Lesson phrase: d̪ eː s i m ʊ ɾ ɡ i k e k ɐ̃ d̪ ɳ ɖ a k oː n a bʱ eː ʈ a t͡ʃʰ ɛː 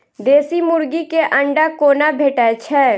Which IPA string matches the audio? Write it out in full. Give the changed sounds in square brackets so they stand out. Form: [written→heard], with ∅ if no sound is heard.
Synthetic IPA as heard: d̪ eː s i m ʊ ɾ ɡ i k e [k→ʔ] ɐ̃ [d̪→∅] ɳ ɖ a k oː n a bʱ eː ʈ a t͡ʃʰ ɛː